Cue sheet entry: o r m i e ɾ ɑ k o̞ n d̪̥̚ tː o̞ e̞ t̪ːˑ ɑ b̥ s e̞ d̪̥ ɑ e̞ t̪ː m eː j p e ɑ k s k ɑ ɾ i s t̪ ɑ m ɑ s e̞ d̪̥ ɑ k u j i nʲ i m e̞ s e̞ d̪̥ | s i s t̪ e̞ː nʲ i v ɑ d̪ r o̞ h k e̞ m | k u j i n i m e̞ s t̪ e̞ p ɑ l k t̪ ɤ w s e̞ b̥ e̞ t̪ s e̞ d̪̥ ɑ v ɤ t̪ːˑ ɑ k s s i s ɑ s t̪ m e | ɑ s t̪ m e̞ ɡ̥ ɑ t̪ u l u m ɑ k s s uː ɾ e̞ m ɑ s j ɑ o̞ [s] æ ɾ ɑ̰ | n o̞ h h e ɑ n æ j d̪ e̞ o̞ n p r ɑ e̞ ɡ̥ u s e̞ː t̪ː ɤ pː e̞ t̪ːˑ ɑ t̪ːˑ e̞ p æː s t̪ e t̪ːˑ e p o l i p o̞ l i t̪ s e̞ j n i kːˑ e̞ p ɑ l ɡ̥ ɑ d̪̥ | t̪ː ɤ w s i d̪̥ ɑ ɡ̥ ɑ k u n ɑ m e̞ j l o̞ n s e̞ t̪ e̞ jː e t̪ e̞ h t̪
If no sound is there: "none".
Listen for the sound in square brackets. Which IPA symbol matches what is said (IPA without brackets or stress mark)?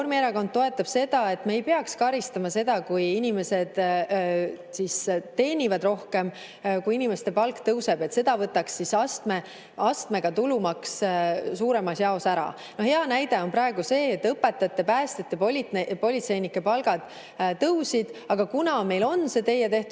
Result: s